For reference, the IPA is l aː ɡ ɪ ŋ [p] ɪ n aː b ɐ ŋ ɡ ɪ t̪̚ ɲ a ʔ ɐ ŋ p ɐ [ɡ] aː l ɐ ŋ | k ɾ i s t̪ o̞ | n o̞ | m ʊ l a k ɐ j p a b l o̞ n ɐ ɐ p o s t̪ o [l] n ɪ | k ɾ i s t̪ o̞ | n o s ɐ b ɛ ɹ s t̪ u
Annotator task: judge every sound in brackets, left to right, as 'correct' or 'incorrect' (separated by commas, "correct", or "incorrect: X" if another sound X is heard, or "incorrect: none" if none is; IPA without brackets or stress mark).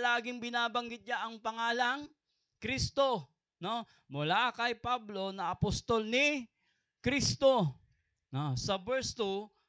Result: incorrect: b, incorrect: ŋ, correct